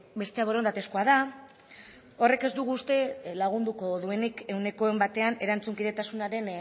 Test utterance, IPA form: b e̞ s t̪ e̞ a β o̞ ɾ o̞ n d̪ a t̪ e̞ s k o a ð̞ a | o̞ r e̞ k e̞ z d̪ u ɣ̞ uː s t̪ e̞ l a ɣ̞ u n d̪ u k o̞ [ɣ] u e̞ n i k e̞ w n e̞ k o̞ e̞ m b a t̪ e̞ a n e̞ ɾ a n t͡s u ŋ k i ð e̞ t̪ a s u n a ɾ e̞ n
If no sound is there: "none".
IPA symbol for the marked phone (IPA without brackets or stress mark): ð